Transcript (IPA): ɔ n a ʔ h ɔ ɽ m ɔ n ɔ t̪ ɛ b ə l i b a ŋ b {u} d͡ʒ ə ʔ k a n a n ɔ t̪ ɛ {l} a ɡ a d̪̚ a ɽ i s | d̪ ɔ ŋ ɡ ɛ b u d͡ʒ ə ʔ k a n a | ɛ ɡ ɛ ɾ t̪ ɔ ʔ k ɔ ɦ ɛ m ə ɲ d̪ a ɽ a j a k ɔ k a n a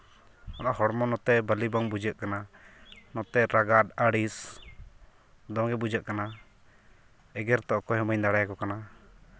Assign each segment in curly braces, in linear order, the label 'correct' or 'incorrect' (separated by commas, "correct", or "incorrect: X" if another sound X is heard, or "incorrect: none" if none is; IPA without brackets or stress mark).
correct, incorrect: ɾ